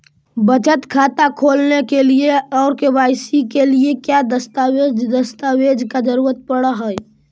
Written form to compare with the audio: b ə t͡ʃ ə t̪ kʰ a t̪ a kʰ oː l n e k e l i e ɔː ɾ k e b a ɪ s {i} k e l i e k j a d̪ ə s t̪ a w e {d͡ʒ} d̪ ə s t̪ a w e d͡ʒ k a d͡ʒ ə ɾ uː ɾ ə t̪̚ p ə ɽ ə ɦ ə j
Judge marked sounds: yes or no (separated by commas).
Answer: yes, yes